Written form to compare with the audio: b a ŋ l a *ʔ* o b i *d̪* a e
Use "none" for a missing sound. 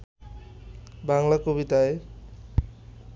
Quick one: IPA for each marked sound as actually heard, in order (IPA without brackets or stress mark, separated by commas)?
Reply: k, t̪